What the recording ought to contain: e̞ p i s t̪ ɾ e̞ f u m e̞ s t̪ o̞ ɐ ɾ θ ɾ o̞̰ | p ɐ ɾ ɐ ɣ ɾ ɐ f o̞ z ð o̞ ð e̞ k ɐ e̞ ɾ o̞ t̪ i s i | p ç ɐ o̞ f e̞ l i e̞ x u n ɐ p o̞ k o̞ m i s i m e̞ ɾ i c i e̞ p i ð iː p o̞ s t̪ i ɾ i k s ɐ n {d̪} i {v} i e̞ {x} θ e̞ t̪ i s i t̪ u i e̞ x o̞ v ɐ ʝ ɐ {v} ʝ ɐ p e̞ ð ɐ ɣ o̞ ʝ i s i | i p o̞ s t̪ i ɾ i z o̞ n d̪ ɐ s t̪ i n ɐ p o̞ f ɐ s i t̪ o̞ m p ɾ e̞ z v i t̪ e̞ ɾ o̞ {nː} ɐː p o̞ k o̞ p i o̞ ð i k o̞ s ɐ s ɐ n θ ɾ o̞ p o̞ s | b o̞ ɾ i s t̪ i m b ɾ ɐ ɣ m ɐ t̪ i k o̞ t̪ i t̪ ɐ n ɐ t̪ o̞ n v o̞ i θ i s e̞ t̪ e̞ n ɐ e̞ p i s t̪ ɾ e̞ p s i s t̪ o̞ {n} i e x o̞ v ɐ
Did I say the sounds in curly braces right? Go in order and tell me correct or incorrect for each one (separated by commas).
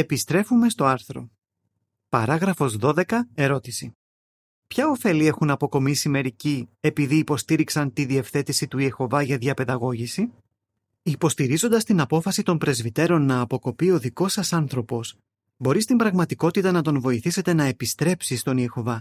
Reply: incorrect, incorrect, incorrect, incorrect, correct, correct